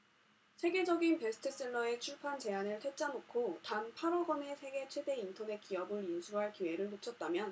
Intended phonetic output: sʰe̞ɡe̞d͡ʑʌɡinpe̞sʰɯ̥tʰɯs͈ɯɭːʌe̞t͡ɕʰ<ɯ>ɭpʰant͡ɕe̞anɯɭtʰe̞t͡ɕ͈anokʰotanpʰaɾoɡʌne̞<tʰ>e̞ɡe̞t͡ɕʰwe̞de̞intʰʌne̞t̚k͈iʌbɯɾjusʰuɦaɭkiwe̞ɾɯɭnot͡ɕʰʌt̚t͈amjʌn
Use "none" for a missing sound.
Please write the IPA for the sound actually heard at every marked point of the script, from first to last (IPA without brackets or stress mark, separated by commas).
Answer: u, sʰ